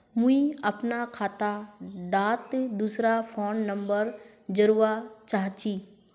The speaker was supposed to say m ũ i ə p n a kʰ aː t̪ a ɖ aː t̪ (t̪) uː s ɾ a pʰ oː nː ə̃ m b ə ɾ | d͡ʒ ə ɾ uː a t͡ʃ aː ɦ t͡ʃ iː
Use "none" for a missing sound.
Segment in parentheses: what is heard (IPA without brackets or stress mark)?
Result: d̪